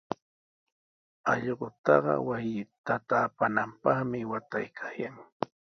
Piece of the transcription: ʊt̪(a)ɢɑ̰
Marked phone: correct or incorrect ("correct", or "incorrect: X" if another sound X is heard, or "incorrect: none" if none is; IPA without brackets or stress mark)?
incorrect: ɑ